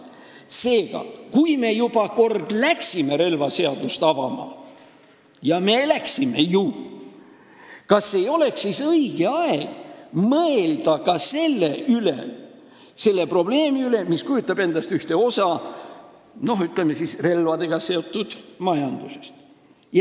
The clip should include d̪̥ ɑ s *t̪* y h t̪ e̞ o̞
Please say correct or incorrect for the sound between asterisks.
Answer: correct